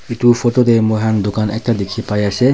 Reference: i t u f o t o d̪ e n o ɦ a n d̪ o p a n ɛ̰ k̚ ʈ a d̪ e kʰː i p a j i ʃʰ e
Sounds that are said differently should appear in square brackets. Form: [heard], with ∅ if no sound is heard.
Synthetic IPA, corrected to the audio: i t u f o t o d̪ e [m] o ɦ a n d̪ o [k] a n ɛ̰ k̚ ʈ a d̪ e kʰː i p a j [a] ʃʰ e